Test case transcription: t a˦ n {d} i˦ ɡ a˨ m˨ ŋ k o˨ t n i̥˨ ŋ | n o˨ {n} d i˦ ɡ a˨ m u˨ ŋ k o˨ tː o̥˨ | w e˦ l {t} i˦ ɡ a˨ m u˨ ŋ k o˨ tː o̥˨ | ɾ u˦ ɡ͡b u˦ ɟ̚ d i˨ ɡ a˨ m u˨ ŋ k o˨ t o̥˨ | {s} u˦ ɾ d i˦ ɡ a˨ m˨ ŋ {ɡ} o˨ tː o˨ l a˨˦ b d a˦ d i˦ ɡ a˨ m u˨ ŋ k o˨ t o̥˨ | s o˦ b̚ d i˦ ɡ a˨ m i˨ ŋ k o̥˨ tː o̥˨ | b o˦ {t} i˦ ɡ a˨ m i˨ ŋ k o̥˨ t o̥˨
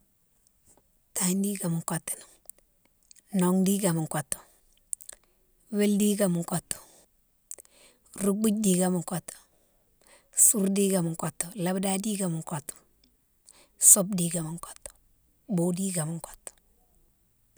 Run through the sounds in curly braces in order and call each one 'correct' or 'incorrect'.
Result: correct, incorrect, incorrect, correct, incorrect, incorrect

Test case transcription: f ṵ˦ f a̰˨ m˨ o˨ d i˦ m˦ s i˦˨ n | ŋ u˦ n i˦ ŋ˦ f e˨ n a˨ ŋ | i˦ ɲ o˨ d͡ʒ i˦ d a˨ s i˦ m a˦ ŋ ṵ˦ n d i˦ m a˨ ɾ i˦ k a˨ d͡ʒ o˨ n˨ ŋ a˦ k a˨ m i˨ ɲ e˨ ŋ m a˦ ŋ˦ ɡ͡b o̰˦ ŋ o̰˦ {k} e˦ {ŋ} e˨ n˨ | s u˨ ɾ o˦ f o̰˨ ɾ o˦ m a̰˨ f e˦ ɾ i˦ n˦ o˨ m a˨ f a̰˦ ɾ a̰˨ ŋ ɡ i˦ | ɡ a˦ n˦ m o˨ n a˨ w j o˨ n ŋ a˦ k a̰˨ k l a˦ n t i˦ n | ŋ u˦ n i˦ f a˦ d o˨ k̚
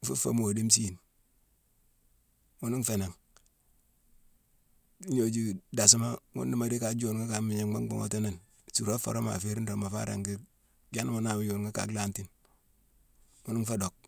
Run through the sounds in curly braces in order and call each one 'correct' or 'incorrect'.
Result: incorrect, incorrect

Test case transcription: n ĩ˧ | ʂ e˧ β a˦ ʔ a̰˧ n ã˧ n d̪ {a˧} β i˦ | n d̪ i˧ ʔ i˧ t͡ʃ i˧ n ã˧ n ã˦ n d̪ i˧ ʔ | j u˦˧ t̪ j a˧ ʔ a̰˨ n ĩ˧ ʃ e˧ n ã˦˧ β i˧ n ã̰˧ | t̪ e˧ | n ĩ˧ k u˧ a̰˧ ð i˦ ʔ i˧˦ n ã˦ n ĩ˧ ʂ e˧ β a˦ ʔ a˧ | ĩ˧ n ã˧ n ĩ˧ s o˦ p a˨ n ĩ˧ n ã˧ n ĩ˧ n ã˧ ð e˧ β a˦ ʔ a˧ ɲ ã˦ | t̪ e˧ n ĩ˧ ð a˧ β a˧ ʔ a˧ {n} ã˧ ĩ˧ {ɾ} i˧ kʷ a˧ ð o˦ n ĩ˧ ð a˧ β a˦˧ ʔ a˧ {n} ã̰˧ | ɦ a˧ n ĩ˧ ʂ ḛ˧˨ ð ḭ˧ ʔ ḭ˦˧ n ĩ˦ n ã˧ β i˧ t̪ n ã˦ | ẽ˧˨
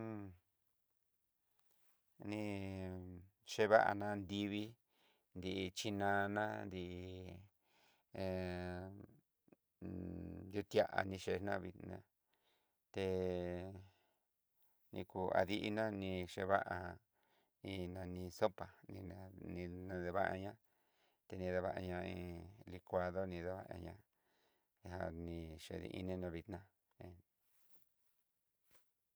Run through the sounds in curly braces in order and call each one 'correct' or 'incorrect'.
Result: incorrect, incorrect, incorrect, incorrect

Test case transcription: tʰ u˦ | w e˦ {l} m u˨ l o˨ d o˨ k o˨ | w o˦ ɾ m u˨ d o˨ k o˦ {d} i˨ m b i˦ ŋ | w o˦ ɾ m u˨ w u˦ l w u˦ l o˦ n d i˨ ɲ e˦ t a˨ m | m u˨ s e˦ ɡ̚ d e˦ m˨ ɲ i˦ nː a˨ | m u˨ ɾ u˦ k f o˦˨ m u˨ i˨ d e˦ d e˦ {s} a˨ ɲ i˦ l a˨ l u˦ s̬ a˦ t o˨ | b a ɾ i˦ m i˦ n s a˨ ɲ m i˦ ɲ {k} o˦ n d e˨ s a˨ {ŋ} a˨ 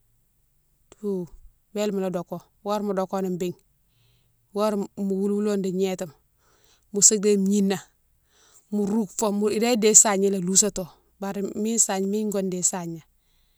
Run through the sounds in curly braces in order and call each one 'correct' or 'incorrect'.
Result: correct, incorrect, correct, incorrect, incorrect

